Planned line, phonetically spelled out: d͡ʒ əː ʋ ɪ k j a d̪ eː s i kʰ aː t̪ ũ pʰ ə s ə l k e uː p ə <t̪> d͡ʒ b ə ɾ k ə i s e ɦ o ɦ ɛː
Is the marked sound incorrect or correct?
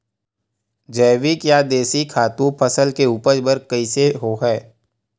incorrect